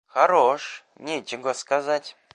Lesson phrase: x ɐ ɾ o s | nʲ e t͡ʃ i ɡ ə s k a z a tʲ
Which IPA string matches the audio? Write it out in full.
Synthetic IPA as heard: x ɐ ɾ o ʂ | nʲ e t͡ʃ ɪ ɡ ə s k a z a tʲ